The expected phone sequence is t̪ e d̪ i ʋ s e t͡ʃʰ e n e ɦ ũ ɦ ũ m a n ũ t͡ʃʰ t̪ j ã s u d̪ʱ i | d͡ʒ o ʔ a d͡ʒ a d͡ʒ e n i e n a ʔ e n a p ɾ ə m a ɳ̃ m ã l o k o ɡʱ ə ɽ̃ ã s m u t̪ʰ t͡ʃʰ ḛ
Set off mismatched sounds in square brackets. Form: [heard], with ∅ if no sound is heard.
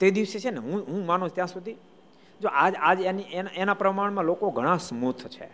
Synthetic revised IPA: t̪ e d̪ i ʋ s e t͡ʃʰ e n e ɦ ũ ɦ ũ m a n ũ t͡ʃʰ t̪ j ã s u d̪ʱ i | d͡ʒ o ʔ a d͡ʒ a d͡ʒ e n i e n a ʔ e n a p ɾ ə m a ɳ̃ m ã l o k o ɡʱ ə ɽ̃ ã s m u t̪ʰ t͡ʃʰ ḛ